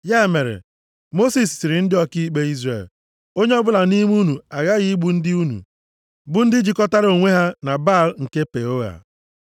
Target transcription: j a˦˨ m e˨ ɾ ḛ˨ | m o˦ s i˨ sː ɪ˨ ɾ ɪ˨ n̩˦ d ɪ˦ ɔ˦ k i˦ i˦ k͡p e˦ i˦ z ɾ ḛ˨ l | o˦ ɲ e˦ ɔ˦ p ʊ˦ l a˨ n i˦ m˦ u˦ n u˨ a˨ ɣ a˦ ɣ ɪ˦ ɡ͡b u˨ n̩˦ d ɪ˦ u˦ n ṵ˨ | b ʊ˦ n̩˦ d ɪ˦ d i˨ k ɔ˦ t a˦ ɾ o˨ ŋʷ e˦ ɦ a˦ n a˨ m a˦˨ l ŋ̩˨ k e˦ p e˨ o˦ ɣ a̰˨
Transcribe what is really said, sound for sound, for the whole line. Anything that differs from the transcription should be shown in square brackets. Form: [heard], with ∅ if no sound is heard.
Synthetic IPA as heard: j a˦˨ m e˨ ɾ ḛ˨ | m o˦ s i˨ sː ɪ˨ ɾ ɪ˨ n̩˦ d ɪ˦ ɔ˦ k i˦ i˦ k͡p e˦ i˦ z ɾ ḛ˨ l | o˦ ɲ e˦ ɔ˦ [b] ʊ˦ l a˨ n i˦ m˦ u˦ n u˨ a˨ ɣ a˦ ɣ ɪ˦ ɡ͡b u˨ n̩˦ d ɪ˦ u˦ n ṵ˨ | b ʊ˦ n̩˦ d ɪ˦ [d͡ʒ] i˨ k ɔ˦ t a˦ ɾ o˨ ŋʷ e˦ ɦ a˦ n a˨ [b] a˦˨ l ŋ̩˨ k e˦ p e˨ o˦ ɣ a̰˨